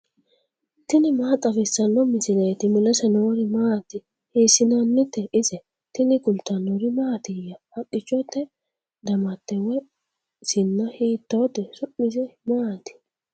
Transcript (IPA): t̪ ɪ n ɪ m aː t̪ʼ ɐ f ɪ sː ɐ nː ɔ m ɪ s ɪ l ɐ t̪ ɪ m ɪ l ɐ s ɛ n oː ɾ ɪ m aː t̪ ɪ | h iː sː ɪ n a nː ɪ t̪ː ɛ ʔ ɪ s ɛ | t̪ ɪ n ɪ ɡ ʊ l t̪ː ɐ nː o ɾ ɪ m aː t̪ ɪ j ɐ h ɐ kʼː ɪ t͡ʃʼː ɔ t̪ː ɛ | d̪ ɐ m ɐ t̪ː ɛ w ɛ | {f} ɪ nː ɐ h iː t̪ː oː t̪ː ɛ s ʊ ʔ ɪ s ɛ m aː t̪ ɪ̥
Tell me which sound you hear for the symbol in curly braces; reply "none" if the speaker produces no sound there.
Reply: s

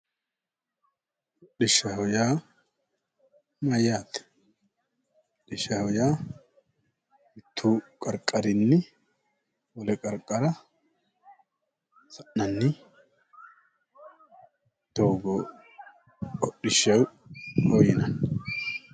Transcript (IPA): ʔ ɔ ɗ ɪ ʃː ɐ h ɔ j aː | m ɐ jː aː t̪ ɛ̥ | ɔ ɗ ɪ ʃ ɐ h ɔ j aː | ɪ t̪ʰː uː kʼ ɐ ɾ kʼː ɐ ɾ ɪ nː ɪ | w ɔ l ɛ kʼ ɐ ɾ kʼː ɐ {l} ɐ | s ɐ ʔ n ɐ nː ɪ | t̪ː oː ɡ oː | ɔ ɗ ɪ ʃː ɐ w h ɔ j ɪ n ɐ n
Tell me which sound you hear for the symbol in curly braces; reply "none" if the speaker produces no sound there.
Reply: ɾ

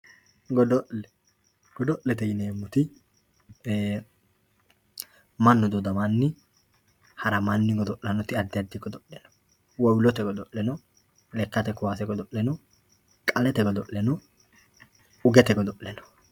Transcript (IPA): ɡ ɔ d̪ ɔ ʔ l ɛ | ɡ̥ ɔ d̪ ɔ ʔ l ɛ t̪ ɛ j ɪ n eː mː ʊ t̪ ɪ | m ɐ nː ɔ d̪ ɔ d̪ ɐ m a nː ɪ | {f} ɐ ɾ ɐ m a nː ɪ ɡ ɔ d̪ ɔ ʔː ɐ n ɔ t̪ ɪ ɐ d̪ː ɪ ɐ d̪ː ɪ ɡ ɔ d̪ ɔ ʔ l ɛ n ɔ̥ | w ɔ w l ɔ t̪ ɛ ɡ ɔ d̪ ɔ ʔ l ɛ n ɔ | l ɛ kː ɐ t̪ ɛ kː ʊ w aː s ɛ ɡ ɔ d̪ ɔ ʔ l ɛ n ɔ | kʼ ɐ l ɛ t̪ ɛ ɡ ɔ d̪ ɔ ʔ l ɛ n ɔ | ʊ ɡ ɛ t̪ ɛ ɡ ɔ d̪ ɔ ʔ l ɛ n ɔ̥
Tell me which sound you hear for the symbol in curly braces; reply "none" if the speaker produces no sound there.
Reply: h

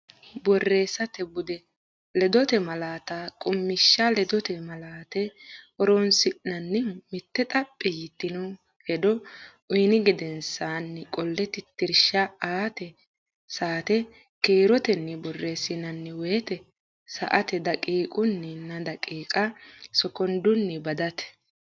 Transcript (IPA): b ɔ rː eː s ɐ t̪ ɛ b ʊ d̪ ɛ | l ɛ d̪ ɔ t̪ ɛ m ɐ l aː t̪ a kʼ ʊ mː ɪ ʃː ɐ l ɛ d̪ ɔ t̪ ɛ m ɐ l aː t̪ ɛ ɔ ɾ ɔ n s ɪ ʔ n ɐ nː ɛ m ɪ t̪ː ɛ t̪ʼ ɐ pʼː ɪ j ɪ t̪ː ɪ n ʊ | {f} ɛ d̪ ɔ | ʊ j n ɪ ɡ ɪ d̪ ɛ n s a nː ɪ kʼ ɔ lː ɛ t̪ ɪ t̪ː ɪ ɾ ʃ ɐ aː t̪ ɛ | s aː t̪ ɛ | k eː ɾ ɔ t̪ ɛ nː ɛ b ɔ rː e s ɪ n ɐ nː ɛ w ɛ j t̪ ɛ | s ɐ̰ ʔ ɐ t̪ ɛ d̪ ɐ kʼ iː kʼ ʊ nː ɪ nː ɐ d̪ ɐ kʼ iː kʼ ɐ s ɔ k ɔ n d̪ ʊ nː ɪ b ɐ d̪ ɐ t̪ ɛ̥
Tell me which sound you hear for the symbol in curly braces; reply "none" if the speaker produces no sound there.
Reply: h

